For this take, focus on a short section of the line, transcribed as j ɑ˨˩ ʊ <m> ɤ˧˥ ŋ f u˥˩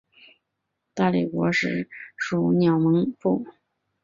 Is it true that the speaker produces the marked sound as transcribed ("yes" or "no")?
yes